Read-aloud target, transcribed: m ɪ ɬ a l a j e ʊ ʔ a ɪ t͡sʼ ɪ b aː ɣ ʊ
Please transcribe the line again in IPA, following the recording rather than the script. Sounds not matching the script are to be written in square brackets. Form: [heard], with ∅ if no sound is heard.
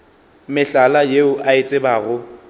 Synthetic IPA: m ɪ ɬ a l a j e ʊ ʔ a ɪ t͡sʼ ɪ b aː ɣ ʊ

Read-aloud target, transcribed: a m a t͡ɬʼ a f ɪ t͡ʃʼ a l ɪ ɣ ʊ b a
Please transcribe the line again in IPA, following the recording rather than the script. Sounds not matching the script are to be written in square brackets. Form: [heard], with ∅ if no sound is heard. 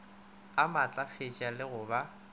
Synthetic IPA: a m a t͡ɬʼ a f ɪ t͡ʃʼ a l ɪ ɣ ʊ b a

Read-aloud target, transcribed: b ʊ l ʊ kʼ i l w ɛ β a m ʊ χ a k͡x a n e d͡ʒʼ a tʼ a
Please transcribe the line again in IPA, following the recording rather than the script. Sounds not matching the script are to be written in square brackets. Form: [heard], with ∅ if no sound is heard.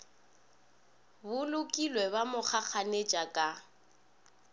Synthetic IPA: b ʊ l ʊ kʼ i l w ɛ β a m ʊ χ a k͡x a n e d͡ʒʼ a [kʼ] a

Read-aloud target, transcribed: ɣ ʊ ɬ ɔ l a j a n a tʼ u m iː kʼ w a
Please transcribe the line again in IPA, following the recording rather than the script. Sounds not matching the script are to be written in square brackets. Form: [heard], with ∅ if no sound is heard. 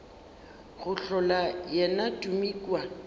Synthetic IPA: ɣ ʊ ɬ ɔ l a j [ɛ] n a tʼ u m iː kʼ w a

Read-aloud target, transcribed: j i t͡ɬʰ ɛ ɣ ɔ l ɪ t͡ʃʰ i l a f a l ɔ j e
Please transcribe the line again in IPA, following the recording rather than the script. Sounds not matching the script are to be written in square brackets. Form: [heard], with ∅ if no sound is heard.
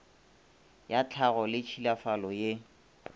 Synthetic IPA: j [a] t͡ɬʰ [a] ɣ ɔ l ɪ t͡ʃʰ i l a f a l ɔ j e

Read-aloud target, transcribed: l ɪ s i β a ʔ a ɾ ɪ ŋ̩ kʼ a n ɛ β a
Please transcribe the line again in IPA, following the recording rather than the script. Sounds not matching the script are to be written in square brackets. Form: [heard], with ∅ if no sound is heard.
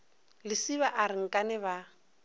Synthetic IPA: l ɪ s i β a ʔ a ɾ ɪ ŋ̩ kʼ a n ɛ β a

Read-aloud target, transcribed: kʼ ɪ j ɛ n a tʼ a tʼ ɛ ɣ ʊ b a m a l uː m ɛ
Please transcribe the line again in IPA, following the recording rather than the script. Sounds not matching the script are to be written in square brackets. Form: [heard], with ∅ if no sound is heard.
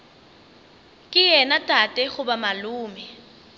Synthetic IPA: kʼ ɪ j ɛ n a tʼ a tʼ ɛ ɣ ʊ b a m a l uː m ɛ

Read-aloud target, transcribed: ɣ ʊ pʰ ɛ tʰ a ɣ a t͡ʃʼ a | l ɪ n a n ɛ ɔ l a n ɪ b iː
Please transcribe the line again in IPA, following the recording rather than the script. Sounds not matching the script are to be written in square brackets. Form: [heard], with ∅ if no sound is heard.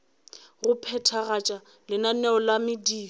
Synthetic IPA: ɣ ʊ pʰ ɛ tʰ a ɣ a t͡ʃʼ a | l ɪ n a n ɛ ɔ l a [m] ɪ [d] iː

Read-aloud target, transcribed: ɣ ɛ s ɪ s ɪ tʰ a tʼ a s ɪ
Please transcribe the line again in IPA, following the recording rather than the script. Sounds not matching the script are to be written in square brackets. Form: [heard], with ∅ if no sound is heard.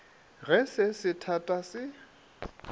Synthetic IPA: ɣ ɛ s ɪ s ɪ tʰ a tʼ a s ɪ

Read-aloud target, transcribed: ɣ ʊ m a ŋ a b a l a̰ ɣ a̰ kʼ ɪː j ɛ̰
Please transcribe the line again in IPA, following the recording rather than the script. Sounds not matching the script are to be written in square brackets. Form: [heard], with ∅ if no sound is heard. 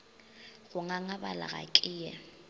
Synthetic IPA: ɣ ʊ [ŋ] a ŋ a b a l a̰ ɣ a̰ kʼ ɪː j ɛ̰

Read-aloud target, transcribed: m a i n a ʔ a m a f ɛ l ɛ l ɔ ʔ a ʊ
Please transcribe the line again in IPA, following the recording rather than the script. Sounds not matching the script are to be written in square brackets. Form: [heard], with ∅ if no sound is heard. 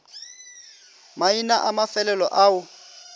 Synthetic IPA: m a i n a ʔ a m a f ɛ l ɛ l ɔ ʔ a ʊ

